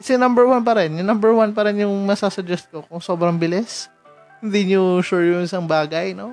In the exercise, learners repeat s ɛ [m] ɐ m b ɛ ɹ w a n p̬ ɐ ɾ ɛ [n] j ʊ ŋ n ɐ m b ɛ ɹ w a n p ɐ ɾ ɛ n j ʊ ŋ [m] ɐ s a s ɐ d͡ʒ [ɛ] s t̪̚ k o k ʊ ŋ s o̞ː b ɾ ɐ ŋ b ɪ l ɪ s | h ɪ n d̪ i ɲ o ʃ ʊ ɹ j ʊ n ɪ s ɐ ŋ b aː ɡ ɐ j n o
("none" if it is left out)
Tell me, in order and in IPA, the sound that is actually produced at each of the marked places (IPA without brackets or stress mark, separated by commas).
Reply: n, n, m, ɛ